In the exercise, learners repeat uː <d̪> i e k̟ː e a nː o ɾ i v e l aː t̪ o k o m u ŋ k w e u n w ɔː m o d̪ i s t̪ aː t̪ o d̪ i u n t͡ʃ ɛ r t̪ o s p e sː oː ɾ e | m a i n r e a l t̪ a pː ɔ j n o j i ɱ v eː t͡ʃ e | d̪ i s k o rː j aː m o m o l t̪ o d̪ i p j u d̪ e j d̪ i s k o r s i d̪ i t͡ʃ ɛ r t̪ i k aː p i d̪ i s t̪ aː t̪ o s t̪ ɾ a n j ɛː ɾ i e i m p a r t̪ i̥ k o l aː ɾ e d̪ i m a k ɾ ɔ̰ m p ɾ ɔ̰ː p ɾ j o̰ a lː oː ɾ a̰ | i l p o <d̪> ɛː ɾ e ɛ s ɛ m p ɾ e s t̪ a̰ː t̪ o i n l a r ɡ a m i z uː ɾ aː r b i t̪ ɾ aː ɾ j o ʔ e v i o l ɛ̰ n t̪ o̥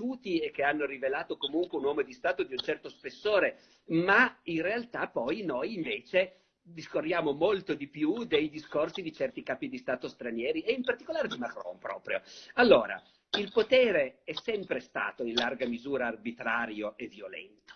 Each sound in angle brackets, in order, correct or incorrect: incorrect: t̪, incorrect: t̪

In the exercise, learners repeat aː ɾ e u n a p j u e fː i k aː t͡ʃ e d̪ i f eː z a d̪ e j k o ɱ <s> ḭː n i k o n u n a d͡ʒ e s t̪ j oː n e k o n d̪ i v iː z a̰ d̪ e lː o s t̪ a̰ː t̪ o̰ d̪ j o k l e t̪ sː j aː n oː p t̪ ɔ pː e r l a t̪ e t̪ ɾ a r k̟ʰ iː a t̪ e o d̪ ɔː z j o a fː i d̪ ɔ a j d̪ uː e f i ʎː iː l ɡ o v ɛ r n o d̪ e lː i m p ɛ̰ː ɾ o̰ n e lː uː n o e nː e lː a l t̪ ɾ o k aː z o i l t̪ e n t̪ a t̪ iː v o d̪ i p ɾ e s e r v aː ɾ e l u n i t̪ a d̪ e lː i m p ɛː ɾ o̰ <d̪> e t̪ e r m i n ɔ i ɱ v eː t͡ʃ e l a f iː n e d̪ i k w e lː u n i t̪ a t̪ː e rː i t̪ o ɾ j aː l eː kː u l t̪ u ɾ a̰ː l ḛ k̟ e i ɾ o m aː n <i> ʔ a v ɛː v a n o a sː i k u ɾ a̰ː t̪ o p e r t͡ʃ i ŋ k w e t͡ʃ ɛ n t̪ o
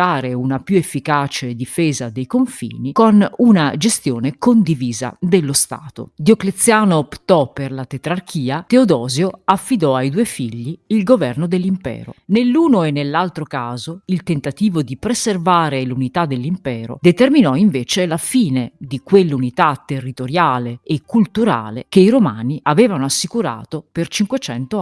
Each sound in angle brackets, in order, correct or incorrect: incorrect: f, correct, correct

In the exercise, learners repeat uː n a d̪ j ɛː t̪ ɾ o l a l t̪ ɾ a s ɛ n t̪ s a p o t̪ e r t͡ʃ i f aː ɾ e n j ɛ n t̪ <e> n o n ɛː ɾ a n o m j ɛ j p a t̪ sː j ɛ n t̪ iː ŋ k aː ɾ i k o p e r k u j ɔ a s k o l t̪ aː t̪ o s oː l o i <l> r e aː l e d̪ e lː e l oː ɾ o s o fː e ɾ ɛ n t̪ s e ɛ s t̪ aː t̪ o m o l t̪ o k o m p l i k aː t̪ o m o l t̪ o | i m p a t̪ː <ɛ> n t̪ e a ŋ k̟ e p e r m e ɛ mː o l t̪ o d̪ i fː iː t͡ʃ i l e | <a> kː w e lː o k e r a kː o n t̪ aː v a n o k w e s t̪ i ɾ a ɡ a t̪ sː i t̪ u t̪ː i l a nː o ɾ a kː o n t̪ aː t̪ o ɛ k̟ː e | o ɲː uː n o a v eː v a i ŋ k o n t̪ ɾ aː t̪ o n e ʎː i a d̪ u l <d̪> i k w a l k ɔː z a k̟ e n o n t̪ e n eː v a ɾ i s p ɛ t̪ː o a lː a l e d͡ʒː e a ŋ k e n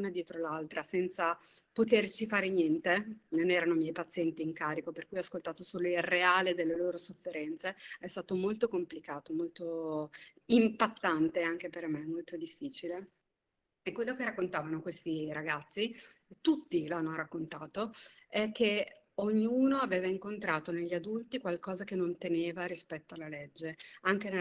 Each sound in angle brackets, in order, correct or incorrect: correct, correct, incorrect: a, incorrect: e, incorrect: t̪

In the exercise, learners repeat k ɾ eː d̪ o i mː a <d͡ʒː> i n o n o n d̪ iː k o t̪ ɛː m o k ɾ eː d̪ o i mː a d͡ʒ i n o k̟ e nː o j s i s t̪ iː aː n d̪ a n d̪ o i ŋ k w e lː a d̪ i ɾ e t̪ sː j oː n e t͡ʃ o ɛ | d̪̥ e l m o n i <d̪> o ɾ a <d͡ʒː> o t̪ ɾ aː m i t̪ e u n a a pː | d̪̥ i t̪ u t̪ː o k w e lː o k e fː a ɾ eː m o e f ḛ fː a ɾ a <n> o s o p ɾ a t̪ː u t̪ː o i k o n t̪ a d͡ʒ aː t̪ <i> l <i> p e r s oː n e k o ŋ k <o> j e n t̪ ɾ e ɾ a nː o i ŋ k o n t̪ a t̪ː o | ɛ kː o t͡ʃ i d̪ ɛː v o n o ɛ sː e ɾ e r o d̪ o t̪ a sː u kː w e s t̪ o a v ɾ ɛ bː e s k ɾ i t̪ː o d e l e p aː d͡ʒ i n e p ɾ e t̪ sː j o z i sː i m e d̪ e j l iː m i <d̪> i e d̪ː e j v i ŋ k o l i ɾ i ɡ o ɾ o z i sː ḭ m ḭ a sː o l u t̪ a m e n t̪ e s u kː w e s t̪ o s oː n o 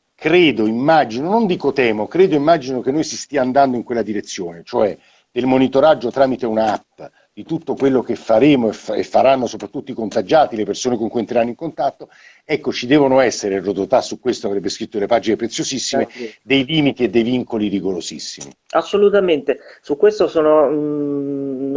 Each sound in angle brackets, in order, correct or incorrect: incorrect: d͡ʒ, incorrect: t̪, correct, incorrect: nː, correct, incorrect: e, incorrect: u, incorrect: t̪

